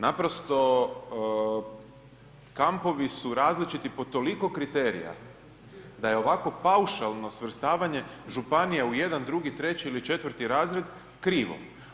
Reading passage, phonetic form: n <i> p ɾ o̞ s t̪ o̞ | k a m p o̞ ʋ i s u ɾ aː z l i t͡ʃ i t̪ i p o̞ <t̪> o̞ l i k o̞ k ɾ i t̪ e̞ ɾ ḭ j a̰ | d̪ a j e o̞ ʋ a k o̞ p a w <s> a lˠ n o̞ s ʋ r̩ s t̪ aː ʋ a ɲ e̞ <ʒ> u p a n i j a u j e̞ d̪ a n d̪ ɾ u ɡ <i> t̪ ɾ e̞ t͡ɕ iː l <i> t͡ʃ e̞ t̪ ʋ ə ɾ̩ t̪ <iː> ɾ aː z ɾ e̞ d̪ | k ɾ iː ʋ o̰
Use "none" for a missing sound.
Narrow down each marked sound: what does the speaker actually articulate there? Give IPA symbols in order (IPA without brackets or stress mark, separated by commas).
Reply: a, t̪, ʃ, ʒ, i, i, i